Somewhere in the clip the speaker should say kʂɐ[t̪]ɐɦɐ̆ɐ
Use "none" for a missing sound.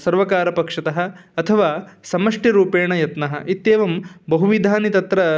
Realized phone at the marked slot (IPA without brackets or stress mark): t̪